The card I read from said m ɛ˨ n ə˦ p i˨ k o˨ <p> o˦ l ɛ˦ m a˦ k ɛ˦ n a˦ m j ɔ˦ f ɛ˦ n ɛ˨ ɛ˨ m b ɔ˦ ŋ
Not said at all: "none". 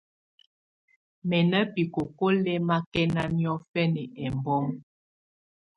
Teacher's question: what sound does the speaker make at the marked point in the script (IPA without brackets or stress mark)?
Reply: k